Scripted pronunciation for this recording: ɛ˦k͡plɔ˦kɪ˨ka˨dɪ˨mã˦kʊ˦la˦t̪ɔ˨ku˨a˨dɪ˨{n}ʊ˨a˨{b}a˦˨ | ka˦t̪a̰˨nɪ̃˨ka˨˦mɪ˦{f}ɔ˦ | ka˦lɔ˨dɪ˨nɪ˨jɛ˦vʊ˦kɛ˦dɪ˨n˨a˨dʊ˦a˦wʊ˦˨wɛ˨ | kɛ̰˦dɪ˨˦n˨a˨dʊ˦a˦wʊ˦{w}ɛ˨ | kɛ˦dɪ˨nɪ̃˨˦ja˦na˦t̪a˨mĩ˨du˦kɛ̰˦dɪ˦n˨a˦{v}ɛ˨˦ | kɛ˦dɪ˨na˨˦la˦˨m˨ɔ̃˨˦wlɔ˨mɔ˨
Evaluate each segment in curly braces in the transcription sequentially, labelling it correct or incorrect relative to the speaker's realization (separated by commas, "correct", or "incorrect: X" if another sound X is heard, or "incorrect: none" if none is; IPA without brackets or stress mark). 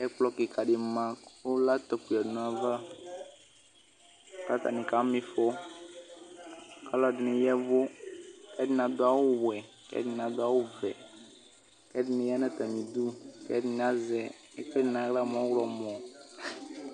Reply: correct, incorrect: v, correct, incorrect: v, incorrect: z